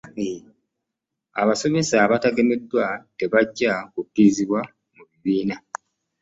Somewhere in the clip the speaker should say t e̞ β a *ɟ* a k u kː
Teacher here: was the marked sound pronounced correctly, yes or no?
no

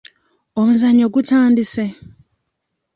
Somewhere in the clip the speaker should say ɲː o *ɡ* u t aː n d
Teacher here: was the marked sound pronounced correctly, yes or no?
yes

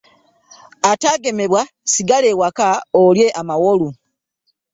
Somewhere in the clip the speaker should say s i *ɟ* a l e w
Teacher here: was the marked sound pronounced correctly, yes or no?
no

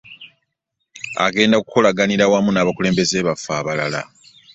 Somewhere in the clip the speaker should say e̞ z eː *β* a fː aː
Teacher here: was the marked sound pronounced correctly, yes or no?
yes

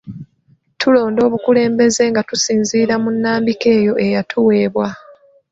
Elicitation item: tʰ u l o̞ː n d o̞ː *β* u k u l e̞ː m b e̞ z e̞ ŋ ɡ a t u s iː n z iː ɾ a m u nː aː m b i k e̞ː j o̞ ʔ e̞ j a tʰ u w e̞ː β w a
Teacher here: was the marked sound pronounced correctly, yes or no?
yes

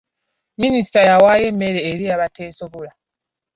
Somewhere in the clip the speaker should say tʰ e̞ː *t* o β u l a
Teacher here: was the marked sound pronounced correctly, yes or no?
no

